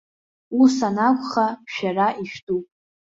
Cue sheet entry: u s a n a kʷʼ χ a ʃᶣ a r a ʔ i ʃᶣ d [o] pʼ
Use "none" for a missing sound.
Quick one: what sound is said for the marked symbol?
u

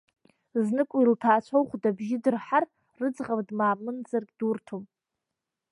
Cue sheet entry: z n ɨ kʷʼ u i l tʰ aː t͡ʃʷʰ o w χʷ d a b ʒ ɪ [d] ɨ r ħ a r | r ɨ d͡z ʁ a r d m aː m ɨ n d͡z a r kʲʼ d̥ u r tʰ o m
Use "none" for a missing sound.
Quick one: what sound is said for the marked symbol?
d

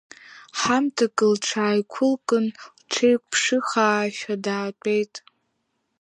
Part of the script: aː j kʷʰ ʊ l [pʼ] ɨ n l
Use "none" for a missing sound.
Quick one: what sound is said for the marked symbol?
kʼ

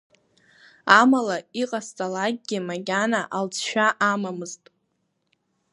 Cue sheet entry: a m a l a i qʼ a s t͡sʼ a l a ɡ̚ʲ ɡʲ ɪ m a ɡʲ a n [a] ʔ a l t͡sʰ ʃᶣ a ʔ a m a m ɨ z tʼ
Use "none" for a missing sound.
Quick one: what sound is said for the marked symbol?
a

